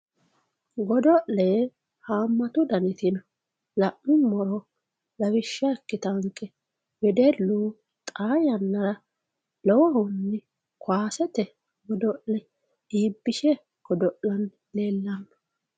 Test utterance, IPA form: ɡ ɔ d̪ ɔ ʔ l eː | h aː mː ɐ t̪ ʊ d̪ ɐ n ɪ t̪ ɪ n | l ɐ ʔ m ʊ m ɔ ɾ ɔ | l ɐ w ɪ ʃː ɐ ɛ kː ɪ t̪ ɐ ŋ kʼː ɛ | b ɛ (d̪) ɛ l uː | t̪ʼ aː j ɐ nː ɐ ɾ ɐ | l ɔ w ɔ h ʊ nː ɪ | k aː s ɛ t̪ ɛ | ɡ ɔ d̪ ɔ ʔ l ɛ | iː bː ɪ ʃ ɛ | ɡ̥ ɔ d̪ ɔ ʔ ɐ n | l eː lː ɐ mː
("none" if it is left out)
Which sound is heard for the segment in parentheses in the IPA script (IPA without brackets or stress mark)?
d̪